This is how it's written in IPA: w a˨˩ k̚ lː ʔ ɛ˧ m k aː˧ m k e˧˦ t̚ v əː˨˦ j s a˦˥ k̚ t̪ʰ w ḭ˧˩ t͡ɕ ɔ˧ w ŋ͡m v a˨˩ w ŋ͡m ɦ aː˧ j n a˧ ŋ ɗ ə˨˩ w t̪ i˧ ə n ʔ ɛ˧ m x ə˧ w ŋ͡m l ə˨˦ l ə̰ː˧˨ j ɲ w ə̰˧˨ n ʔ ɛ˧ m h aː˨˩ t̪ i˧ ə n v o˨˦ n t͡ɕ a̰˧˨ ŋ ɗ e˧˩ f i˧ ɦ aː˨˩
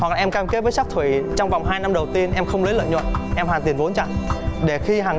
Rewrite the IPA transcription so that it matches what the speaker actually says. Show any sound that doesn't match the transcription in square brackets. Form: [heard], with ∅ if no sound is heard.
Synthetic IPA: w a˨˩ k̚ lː ʔ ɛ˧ m k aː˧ m k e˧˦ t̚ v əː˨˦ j s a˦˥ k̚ t̪ʰ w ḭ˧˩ t͡ɕ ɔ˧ w ŋ͡m v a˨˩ w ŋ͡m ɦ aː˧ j n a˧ [m] ɗ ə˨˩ w t̪ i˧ ə n ʔ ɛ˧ m x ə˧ w ŋ͡m l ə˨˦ l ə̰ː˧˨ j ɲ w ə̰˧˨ n ʔ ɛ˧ m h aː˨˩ t̪ [i˨˩] ə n v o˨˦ n t͡ɕ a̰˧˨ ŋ ɗ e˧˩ [x] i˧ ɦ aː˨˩